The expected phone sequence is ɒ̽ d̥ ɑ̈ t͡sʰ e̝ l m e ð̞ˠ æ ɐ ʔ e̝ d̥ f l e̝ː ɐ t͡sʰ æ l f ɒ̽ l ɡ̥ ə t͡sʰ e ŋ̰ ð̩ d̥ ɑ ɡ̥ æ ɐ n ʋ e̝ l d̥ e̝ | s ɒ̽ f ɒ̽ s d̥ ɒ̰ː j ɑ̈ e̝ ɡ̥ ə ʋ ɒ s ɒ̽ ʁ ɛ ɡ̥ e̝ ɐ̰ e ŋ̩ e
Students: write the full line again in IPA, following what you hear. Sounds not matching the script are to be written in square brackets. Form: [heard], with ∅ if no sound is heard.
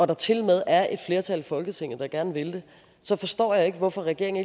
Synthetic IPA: ɒ̽ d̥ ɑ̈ t͡sʰ e̝ l m e ð̞ˠ æ ɐ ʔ e̝ d̥ f l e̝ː ɐ t͡sʰ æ l f ɒ̽ l ɡ̥ ə t͡sʰ e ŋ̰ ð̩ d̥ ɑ ɡ̥ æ ɐ n ʋ e̝ l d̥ e̝ | s ɒ̽ f ɒ̽ s d̥ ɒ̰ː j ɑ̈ e̝ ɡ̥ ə ʋ ɒ [f] ɒ̽ ʁ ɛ ɡ̥ e̝ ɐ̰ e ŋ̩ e

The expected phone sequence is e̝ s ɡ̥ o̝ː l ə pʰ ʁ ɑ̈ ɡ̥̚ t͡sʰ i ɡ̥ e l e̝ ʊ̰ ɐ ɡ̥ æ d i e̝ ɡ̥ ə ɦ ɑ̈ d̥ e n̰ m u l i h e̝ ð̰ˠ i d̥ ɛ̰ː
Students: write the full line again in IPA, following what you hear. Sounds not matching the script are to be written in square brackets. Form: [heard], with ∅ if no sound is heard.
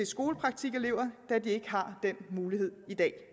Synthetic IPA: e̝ s ɡ̥ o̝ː l ə pʰ ʁ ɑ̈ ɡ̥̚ t͡sʰ i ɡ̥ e l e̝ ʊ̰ ɐ [d̥] æ d i e̝ ɡ̥ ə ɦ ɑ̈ d̥ e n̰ m [uː] l i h e̝ ð̰ˠ i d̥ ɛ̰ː

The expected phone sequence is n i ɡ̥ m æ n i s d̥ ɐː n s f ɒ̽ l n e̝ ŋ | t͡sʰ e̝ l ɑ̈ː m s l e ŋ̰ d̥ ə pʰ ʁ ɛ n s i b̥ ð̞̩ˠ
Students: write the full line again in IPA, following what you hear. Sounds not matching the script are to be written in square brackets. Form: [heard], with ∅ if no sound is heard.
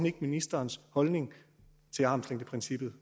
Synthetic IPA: n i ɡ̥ m [i] n i s d̥ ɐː n s [h] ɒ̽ l n e̝ ŋ | t͡sʰ e̝ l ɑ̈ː m s l e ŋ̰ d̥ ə pʰ ʁ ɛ n s i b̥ ð̞̩ˠ

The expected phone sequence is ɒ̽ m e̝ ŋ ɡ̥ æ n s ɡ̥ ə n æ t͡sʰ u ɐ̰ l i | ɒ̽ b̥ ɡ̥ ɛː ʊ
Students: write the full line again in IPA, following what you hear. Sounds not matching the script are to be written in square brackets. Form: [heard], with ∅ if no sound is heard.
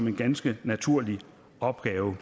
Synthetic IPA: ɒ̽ m e̝ [n] ɡ̥ æ n s ɡ̥ ə n æ t͡sʰ u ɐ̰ l i | ɒ̽ b̥ ɡ̥ ɛː ʊ

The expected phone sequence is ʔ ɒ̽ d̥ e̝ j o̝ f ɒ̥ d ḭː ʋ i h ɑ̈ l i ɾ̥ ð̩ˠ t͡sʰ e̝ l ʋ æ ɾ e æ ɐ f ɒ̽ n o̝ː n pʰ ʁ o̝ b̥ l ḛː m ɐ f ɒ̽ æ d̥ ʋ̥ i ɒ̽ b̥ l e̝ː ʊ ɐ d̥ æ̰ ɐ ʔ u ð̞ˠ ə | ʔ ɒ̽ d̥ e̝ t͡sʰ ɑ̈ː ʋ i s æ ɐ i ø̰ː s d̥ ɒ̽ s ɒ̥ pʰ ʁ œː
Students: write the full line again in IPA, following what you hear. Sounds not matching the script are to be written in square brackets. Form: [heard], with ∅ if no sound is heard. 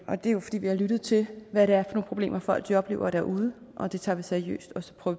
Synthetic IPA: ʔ ɒ̽ d̥ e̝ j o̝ f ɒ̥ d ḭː ʋ i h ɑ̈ l [y] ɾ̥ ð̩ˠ t͡sʰ e̝ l ʋ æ ɾ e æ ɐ f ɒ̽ n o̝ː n pʰ ʁ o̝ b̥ l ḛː m ɐ f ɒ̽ æ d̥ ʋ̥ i ɒ̽ b̥ l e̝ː ʊ ɐ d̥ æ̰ ɐ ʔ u ð̞ˠ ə | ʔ ɒ̽ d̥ e̝ t͡sʰ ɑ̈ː ʋ i s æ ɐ i ø̰ː s d̥ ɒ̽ s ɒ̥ pʰ ʁ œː

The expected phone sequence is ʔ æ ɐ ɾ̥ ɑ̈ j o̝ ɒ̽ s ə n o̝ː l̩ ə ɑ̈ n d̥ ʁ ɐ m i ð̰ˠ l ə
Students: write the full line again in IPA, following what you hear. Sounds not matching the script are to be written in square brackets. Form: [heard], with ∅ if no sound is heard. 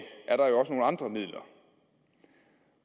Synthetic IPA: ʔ æ ɐ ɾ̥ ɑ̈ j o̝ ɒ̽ s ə n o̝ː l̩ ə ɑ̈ n d̥ ʁ ɐ m i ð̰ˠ l [ɐ]

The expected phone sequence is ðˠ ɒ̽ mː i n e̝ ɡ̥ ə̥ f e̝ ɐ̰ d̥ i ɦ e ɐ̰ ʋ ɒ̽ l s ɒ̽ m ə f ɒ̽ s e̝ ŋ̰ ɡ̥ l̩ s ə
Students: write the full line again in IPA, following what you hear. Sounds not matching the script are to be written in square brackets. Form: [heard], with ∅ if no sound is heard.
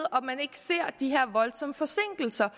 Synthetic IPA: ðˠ ɒ̽ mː [æ] n e̝ ɡ̥ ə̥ [s] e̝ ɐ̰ d̥ i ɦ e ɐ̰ ʋ ɒ̽ l s ɒ̽ m ə f ɒ̽ s e̝ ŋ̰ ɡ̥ l̩ s [ɐ]

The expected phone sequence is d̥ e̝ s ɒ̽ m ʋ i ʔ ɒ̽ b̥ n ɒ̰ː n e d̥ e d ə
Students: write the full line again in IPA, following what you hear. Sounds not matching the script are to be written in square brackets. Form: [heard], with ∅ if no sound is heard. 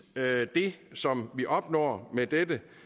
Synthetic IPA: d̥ e̝ s ɒ̽ m ʋ i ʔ ɒ̽ b̥ n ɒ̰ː [m] e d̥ e d ə

